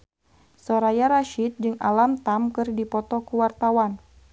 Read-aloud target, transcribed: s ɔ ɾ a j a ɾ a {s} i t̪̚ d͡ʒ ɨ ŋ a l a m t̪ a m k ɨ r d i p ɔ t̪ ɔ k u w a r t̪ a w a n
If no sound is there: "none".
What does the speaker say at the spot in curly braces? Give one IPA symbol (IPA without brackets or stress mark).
ʃ